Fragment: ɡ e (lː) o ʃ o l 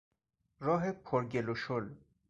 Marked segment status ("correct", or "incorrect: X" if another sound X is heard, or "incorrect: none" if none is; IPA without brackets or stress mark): incorrect: l